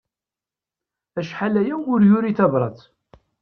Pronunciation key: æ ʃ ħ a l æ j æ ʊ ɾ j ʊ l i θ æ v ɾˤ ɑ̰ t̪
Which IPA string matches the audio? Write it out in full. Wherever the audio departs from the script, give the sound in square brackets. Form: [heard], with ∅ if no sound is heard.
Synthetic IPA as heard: æ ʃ ħ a l æ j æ ʊ ɾ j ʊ [ɾ] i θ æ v ɾˤ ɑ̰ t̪